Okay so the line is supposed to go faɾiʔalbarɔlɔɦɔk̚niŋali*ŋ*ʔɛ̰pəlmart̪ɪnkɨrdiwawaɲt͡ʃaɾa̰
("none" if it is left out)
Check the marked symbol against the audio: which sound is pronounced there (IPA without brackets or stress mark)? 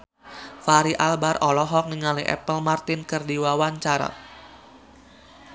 none